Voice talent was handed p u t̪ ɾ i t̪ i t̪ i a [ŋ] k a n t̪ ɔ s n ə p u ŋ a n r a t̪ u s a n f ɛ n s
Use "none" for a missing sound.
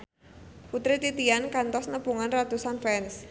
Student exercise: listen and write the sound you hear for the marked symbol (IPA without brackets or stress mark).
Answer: n